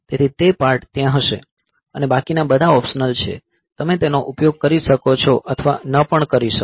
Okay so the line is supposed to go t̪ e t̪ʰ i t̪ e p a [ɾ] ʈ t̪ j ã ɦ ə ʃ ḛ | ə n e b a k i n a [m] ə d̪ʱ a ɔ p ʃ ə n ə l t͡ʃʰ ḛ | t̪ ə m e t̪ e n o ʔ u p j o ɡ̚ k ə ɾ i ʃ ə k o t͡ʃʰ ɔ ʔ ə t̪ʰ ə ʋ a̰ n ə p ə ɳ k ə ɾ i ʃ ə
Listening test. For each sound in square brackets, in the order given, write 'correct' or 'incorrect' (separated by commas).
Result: correct, incorrect